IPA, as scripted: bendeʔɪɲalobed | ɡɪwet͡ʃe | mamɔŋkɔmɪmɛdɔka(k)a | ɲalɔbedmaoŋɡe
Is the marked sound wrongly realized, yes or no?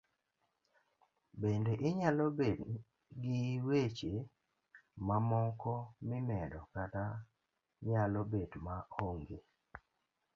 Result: yes